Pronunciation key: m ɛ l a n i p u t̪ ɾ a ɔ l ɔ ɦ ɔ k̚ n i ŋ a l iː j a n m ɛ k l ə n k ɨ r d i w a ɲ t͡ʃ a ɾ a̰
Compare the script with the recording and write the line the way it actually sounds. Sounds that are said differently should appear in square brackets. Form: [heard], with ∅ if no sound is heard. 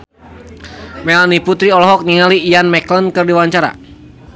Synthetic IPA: m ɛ l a n i p u t̪ ɾ [i] ɔ l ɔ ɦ ɔ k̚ n i ŋ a l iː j a n m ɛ k l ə n k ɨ r d i w a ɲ t͡ʃ a ɾ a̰